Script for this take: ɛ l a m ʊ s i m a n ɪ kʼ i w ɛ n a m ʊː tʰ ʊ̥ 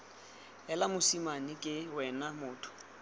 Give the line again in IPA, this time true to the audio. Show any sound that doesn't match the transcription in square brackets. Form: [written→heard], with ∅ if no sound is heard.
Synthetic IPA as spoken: ɛ l a m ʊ s i m a n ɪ kʼ [i→ɪ] w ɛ n a m ʊː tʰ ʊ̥

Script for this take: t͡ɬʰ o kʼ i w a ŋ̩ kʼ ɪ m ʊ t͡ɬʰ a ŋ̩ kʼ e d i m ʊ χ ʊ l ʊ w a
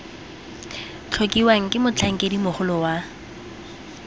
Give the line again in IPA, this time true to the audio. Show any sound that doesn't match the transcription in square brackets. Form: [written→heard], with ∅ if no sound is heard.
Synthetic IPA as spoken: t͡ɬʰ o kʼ i w a ŋ̩ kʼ ɪ m ʊ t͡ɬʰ a ŋ̩ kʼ e d i m ʊ χ ʊ l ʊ w a

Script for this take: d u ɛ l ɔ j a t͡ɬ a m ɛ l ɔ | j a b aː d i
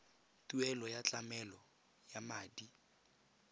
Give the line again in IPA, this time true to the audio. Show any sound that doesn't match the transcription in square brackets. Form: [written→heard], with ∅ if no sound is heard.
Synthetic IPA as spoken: [d→t] u ɛ l ɔ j a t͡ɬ a m ɛ l ɔ | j a [b→m] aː d i

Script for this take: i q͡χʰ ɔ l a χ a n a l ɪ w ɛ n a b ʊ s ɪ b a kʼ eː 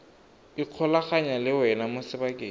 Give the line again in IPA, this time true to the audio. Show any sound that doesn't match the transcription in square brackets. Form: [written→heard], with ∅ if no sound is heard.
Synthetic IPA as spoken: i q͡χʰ ɔ l a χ a [n→ɲ] a l ɪ w ɛ n a [b→m] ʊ s ɪ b a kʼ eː

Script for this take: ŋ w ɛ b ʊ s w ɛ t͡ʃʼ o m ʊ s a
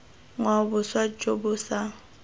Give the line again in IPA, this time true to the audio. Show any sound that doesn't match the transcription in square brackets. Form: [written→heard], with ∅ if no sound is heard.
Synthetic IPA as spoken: ŋ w [ɛ→a] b ʊ s w [ɛ→a] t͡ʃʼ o [m→b] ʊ s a

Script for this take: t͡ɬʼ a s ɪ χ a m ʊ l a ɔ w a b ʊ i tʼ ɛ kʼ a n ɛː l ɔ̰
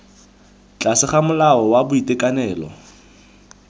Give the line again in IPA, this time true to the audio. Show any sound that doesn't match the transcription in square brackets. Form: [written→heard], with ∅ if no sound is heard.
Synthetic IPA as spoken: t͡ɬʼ a s ɪ χ a m ʊ l a ɔ w a b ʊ i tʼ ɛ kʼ a n ɛː l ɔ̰

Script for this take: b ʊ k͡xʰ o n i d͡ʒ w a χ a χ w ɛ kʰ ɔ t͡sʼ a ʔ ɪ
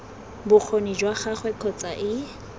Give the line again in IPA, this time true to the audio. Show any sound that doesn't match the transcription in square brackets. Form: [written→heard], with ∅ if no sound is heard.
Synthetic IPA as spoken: b ʊ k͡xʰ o n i d͡ʒ w a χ a χ w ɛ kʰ ɔ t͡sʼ a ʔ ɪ

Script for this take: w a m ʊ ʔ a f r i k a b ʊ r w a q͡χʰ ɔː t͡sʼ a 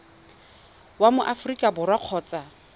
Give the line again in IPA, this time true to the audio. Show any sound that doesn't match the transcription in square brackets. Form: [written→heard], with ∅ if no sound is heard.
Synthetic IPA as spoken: w a m ʊ ʔ a f r i [k→kʼ] a b ʊ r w a q͡χʰ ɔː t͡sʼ a

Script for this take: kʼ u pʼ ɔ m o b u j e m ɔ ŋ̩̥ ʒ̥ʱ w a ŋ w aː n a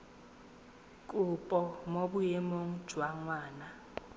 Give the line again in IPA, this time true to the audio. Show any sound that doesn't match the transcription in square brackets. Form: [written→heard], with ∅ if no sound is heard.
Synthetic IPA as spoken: kʼ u pʼ ɔ m o b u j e m [ɔ→o] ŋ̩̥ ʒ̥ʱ w a ŋ w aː n a

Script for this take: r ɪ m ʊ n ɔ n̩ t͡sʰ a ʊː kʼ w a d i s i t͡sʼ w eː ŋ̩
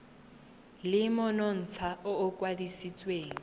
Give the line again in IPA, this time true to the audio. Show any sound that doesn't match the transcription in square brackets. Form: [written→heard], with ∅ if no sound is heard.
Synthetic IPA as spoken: [r→l] ɪ m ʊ n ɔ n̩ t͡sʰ a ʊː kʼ w a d i s i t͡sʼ w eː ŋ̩

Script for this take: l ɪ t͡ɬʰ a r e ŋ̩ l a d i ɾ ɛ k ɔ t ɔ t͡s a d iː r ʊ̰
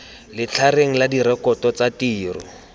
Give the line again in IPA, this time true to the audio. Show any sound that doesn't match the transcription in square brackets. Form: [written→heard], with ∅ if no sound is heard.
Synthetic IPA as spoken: l ɪ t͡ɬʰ a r e ŋ̩ l a d i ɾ ɛ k ɔ t ɔ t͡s a [d→t] iː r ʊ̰

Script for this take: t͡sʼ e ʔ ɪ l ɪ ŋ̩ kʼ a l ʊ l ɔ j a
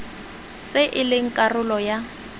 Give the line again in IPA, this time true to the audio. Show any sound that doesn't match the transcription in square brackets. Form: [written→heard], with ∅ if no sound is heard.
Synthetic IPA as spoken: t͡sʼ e ʔ ɪ l ɪ ŋ̩ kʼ a [l→r] ʊ l ɔ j a

